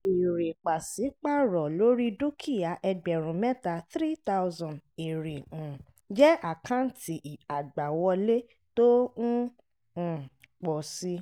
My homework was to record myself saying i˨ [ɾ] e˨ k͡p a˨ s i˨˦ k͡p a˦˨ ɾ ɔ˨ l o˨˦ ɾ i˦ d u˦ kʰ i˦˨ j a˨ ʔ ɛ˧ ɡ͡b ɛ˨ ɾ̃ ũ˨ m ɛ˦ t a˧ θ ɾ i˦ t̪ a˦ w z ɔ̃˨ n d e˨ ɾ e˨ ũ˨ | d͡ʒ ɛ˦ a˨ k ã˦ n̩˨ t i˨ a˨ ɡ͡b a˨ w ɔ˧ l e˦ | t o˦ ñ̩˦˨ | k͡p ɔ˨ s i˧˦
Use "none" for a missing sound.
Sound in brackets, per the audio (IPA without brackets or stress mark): ɾ